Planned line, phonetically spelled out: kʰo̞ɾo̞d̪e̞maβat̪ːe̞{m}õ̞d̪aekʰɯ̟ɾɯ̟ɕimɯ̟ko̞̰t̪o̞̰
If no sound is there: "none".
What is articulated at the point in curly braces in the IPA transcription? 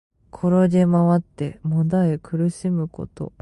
m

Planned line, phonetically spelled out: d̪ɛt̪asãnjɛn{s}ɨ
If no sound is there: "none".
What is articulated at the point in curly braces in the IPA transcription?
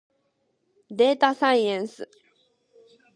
s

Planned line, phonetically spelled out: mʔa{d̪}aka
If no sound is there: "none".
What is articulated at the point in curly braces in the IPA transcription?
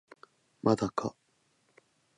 d̪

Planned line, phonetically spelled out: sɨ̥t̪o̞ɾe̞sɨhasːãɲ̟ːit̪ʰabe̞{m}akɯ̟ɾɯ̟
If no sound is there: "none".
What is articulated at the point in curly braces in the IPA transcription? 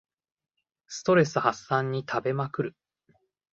m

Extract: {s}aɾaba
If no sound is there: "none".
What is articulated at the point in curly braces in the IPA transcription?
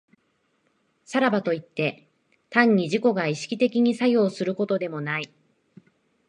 s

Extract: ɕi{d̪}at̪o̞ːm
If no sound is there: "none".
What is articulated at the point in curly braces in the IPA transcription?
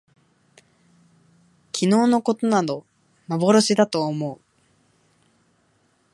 d̪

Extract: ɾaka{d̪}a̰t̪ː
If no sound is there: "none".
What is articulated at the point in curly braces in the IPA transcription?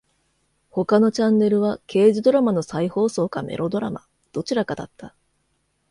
d̪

